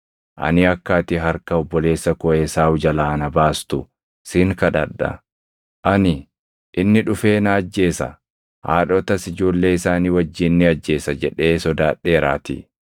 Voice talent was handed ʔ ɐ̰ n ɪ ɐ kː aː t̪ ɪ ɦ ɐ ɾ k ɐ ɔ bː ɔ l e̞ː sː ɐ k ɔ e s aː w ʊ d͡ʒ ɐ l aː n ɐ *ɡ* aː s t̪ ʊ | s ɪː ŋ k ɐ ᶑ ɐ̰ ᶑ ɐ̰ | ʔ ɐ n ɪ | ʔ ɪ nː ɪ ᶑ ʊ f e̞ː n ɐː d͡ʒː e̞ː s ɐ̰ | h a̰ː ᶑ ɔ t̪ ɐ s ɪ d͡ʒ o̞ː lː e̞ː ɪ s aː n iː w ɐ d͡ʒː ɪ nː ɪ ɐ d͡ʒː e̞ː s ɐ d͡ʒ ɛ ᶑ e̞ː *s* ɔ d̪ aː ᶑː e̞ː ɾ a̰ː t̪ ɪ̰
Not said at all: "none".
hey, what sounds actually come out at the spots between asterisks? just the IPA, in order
b, s

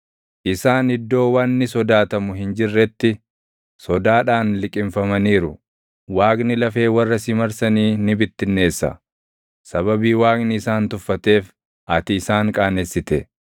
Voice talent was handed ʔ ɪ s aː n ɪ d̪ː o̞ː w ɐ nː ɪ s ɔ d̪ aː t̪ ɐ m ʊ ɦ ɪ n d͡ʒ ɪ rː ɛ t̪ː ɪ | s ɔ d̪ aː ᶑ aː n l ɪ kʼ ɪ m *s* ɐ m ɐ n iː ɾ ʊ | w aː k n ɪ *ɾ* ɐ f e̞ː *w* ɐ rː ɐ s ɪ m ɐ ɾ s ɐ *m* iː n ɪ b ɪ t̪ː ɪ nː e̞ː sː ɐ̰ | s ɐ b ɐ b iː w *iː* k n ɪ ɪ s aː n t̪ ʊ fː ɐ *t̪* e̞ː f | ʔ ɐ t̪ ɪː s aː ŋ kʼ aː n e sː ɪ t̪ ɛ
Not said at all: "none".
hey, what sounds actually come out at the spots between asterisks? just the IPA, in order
f, l, w, n, aː, t̪

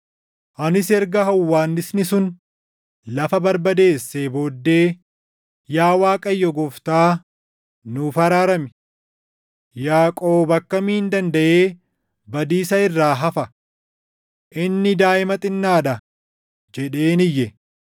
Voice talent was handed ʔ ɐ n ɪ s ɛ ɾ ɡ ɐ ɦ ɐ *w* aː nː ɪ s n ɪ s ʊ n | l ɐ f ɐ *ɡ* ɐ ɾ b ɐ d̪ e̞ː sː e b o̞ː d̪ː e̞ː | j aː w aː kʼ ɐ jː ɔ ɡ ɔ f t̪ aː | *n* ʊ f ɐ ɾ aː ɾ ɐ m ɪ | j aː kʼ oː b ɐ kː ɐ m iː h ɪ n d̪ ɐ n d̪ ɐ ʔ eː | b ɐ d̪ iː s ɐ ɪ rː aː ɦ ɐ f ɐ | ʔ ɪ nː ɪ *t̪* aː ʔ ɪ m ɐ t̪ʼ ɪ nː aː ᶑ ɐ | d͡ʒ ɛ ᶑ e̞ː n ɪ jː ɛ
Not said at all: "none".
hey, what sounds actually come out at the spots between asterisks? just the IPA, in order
wː, b, n, d̪

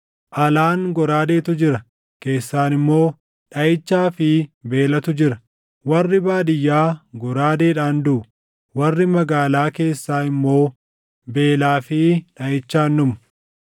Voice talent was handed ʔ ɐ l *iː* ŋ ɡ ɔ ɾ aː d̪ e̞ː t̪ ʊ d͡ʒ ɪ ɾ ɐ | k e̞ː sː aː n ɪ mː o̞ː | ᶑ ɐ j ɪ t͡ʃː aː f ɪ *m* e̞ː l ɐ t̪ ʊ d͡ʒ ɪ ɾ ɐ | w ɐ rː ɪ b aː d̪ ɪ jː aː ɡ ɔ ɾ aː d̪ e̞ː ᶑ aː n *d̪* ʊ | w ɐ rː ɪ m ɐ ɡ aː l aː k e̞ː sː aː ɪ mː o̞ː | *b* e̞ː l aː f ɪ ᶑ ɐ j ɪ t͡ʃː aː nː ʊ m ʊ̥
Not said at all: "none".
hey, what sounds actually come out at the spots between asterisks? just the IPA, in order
aː, b, d̪, b

